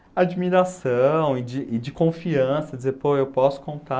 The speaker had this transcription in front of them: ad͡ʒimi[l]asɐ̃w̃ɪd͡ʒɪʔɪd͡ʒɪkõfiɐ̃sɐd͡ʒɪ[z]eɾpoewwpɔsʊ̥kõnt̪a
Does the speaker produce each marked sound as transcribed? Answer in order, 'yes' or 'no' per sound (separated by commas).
no, yes